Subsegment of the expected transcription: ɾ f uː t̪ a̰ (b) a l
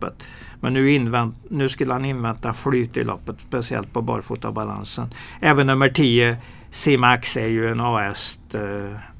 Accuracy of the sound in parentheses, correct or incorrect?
correct